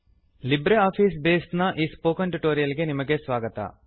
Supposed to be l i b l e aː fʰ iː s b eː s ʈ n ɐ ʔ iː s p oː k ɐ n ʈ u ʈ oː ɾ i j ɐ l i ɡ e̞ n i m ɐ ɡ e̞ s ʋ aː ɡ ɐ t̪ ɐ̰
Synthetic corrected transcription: l i b ɾ e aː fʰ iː s b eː s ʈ n ɐ ʔ iː s p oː k ɐ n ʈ u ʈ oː ɾ i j ɐ l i ɡ e̞ n i m ɐ ɡ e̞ s ʋ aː ɡ ɐ t̪ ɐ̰